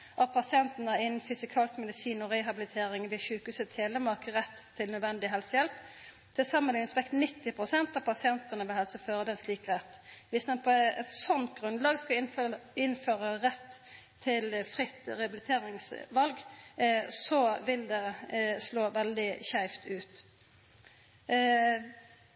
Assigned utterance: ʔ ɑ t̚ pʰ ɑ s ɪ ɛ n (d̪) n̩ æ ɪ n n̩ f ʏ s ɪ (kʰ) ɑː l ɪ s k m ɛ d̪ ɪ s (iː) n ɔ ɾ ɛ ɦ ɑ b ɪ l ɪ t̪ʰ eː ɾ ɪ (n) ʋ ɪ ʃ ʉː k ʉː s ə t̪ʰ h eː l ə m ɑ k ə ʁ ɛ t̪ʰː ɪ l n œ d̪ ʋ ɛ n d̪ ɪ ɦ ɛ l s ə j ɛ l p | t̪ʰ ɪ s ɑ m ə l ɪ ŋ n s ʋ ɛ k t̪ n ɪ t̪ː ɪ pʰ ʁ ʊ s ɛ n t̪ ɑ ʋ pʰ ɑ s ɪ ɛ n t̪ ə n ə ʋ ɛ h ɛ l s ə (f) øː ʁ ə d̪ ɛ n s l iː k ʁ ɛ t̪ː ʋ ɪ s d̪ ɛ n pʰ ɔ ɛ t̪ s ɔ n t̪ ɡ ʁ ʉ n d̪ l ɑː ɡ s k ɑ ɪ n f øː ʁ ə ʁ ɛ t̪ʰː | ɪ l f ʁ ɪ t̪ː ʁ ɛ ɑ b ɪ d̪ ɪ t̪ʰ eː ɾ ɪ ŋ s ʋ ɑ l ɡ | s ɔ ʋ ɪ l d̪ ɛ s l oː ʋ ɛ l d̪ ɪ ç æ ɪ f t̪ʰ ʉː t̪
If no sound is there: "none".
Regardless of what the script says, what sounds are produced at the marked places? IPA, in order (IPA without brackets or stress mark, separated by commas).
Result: t̪, kʰ, iː, ŋ, f